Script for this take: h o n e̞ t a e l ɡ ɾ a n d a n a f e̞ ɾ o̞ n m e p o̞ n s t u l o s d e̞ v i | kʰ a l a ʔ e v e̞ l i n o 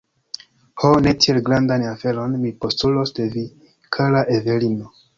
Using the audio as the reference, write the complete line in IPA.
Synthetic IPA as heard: h o n e̞ t i e l ɡ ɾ a n d a n a f e̞ ɾ o̞ n m i p o̞ s t u l o s d e̞ v i | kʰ a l a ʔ e v e̞ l i n o